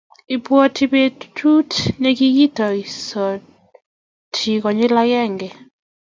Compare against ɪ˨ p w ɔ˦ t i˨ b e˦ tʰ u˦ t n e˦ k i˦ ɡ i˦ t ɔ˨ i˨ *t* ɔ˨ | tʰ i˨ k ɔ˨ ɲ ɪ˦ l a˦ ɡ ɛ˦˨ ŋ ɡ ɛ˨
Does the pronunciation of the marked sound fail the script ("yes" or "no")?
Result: yes